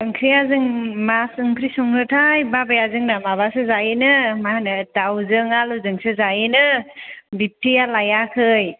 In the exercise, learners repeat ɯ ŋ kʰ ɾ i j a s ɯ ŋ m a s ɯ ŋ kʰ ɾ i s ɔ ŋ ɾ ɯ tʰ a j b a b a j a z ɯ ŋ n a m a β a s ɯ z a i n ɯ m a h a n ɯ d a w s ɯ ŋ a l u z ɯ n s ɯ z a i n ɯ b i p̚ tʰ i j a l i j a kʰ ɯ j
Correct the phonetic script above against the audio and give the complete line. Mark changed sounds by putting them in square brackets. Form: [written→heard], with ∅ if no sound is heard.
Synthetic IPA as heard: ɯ ŋ kʰ ɾ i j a [s→z] ɯ ŋ m a s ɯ ŋ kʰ ɾ i s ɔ ŋ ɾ ɯ tʰ a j b a b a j a z ɯ ŋ n a m a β a s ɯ z a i n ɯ m a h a n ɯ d a w [s→z] ɯ ŋ a l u z ɯ [n→ŋ] s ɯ z a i n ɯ b i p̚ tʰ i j a l [i→a] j a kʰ ɯ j